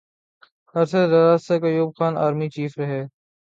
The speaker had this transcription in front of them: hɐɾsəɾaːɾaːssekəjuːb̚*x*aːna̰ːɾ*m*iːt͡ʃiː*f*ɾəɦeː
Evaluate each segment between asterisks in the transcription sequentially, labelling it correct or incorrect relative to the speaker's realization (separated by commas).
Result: correct, correct, correct